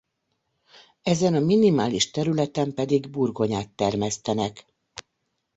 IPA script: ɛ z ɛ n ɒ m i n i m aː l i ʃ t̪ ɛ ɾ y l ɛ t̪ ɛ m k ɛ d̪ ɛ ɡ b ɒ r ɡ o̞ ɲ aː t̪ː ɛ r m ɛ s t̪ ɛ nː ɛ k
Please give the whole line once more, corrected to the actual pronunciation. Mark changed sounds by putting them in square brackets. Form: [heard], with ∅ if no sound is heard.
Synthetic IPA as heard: ɛ z ɛ n ɒ m i n i m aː l i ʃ t̪ ɛ ɾ y l ɛ t̪ ɛ m [p] ɛ d̪ [i] ɡ b [u] r ɡ o̞ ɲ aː t̪ː ɛ r m ɛ s t̪ ɛ [n] ɛ k